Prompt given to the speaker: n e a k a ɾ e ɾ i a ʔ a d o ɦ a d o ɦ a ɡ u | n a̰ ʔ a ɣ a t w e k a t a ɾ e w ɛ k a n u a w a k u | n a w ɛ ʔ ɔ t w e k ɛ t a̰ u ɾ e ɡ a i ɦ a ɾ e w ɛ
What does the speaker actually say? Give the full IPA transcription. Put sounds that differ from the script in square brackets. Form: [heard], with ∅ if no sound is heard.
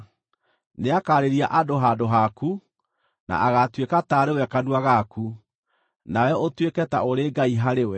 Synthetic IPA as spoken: n e a k a ɾ e ɾ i a ʔ a d o ɦ a d o ɦ a [k] u | n a̰ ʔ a ɣ a t w e k a t a ɾ e w ɛ k a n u a [ɣ] a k u | n a w ɛ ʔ [o] t w e k ɛ t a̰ [o] ɾ e ɡ a i ɦ a ɾ e w ɛ